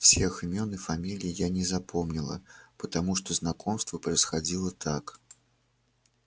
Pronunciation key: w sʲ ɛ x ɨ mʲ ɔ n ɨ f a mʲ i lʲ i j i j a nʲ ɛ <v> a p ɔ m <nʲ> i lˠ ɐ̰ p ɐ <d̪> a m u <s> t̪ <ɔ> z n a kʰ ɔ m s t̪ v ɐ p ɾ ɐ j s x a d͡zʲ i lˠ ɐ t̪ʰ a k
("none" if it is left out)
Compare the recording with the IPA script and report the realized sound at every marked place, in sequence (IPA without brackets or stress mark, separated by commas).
z, nʲ, t̪, ʂ, ɔ